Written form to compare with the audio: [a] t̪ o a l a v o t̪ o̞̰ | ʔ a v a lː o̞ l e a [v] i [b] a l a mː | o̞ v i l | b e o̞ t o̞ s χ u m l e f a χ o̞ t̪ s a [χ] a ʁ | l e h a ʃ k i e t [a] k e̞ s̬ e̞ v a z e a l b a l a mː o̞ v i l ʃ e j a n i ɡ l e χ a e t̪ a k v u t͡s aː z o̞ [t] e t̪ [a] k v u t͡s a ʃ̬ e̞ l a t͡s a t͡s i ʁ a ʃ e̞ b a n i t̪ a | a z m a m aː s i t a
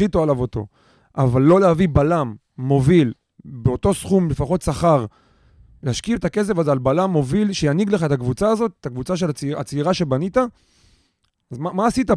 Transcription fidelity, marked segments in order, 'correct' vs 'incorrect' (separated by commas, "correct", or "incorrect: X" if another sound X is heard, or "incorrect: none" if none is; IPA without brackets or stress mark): incorrect: i, correct, correct, correct, correct, correct, correct